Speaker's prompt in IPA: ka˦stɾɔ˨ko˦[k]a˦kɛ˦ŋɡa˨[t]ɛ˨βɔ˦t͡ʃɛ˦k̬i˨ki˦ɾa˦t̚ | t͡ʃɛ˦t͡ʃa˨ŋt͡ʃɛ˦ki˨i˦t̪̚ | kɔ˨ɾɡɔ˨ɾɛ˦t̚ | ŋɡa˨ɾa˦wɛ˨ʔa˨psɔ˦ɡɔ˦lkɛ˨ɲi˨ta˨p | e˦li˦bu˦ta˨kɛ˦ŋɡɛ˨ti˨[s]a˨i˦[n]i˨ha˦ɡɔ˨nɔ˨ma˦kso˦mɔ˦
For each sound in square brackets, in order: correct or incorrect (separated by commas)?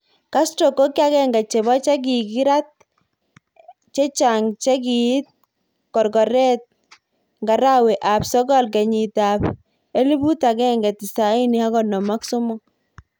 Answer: correct, incorrect, correct, correct